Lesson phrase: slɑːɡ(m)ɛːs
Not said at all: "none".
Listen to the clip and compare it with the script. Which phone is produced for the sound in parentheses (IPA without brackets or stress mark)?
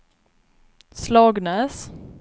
n